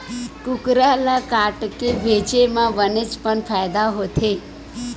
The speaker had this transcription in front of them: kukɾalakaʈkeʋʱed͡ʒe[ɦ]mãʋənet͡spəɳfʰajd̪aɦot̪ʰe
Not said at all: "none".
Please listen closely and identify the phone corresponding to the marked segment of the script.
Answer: none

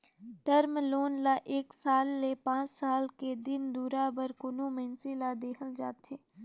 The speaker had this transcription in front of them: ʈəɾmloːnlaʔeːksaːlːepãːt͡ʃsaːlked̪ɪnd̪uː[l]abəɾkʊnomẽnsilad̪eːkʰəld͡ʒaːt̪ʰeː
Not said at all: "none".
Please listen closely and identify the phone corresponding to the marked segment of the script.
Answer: ɾ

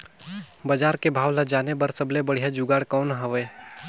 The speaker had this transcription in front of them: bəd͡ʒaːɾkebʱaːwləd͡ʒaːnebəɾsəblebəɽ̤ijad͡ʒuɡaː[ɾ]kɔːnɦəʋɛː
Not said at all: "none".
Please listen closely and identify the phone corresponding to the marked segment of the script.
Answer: ɽ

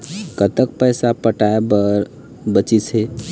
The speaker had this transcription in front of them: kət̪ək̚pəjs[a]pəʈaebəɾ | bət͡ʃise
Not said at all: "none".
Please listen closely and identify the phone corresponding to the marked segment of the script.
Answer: a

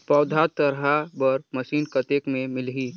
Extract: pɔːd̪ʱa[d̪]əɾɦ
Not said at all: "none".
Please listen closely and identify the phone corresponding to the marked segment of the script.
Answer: t̪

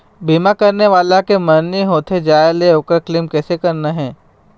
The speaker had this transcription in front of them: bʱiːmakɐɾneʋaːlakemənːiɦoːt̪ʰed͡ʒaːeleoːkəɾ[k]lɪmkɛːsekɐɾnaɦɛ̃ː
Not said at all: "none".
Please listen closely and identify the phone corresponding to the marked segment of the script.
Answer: k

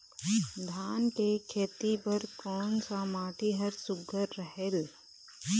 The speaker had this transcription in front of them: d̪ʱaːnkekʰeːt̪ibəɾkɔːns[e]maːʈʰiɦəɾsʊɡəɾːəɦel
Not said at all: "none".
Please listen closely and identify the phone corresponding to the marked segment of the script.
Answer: a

